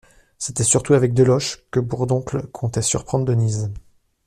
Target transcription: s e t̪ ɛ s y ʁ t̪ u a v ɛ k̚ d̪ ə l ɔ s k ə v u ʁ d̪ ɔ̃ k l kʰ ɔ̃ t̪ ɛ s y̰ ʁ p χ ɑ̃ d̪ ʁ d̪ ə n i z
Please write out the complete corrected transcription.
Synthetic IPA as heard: s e t̪ ɛ s y ʁ t̪ u a v ɛ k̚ d̪ ə l ɔ ʃ k ə b u ʁ d̪ ɔ̃ k l kʰ ɔ̃ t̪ ɛ s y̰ ʁ p χ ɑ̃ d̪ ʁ d̪ ə n i z